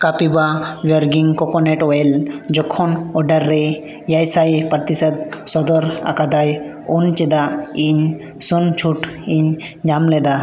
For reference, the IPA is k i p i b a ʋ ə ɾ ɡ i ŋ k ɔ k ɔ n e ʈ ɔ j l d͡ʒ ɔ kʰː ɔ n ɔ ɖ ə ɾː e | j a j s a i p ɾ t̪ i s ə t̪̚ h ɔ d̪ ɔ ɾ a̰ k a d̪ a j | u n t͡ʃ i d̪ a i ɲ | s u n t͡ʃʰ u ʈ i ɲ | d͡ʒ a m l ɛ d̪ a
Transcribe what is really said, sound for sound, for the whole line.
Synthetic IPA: k a p i b a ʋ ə ɾ ɡ i ŋ k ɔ k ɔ n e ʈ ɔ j l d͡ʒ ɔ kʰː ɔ n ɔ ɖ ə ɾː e | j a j s a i p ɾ t̪ i s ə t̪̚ s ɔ d̪ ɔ ɾ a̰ k a d̪ a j | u n t͡ʃ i d̪ a i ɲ | s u n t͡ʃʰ u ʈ i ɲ | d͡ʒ a m l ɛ d̪ a